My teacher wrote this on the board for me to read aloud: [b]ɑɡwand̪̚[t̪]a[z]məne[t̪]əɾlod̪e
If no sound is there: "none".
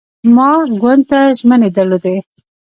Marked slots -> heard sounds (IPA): m, t̪, ʒ, d̪

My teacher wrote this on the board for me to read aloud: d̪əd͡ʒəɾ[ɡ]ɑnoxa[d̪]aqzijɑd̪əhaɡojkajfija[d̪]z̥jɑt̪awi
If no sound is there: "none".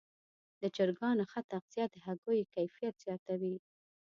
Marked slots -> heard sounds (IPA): ɡ, t̪, t̪

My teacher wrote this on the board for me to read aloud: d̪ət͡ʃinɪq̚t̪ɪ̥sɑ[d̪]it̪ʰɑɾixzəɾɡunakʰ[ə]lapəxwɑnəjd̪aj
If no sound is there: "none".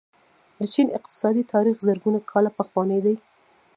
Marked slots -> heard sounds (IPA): d̪, ɑ

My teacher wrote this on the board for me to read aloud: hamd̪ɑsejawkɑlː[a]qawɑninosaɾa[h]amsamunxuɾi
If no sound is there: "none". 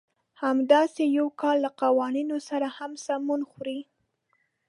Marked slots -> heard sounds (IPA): a, h

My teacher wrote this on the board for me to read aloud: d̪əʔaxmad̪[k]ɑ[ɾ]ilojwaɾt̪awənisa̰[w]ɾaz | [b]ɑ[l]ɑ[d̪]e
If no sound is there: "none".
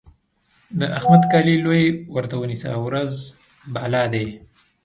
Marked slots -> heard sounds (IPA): k, l, w, b, l, d̪

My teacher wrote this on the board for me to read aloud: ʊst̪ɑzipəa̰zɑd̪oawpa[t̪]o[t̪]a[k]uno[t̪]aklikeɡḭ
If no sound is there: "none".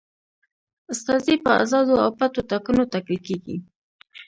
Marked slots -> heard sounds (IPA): t̪, t̪, k, t̪

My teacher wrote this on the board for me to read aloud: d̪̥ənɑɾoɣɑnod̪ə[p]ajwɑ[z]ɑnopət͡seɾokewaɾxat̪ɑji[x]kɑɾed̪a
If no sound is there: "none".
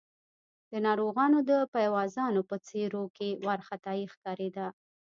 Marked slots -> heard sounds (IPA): p, z, x

